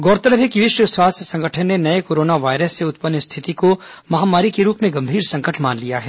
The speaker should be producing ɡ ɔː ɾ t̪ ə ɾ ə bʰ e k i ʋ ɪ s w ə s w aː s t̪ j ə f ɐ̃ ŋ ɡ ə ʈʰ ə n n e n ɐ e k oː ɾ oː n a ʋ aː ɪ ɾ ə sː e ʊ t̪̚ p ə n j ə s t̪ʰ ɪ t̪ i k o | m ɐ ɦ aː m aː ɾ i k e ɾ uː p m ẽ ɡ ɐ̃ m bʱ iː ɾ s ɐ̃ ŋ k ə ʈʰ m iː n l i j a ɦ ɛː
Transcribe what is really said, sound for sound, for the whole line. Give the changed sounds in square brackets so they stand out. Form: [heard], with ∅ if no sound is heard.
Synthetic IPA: ɡ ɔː ɾ t̪ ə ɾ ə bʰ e k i ʋ ɪ [ʃ] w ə s w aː s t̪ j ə [s] ɐ̃ ŋ ɡ ə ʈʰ ə n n e n ɐ e k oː ɾ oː n a ʋ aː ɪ ɾ ə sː e ʊ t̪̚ p ə n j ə s t̪ʰ ɪ t̪ i k o | m ɐ ɦ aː m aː ɾ i k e ɾ uː p m ẽ ɡ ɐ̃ m bʱ iː ɾ s ɐ̃ ŋ k ə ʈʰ m [aː] n l i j a ɦ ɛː